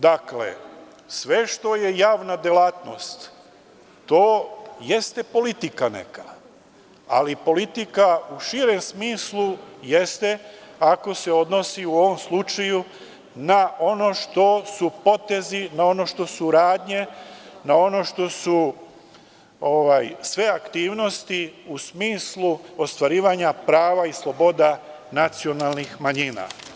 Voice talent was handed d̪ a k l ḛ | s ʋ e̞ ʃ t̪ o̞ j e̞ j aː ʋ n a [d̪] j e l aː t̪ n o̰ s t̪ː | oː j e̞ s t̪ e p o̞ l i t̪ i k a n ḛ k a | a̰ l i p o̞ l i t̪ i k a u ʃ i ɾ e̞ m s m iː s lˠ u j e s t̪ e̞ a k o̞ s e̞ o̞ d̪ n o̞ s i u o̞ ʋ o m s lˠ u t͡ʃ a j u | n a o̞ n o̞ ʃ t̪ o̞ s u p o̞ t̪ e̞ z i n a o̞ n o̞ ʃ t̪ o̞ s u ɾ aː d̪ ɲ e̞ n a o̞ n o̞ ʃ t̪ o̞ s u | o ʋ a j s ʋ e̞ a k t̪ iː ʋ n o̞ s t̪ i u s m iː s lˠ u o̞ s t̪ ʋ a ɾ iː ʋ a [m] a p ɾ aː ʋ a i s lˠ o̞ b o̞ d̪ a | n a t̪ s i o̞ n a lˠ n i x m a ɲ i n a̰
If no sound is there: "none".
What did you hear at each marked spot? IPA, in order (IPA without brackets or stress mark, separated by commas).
d̪, ɲ